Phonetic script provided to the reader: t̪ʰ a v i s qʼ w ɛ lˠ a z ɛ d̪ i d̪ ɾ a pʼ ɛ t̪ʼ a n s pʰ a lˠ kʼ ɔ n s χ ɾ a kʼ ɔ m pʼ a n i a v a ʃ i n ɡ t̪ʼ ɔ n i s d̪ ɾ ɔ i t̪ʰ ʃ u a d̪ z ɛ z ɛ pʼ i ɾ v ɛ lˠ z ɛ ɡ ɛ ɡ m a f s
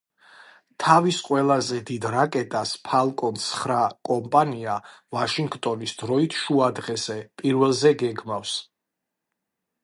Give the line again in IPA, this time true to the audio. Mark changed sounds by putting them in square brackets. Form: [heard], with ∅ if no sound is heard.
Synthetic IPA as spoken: t̪ʰ a v i s qʼ w ɛ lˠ a z ɛ d̪ i d̪ ɾ a [kʼ] ɛ t̪ʼ a [∅] s pʰ a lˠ kʼ ɔ n s χ ɾ a kʼ ɔ m pʼ a n i a v a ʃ i [ŋ] ɡ t̪ʼ ɔ n i s d̪ ɾ ɔ i t̪ʰ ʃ u a d̪ [ʁ] ɛ z ɛ pʼ i ɾ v ɛ lˠ z ɛ ɡ ɛ ɡ m a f s